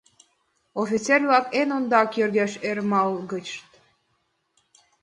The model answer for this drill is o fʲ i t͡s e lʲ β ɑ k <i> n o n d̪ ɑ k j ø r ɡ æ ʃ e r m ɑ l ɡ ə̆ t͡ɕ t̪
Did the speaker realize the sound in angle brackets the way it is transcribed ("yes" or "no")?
no